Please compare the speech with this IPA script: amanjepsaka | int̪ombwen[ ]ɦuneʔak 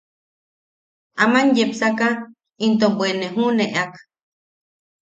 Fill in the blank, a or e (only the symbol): e